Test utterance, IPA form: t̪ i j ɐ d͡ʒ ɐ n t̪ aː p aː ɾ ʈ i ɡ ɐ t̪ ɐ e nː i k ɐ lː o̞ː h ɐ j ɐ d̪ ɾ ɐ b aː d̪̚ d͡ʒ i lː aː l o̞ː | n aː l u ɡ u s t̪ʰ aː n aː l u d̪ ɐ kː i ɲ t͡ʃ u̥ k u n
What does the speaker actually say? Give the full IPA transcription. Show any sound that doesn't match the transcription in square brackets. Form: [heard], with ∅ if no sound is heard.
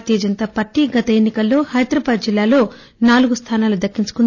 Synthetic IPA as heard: t̪ i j ɐ d͡ʒ ɐ n t̪ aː p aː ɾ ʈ i ɡ ɐ t̪ ɐ e nː i k ɐ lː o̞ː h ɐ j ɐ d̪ ɾ ɐ b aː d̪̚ d͡ʒ i lː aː l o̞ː | n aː l u ɡ u s t̪ʰ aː n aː l u d̪ ɐ kː i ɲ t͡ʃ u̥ k u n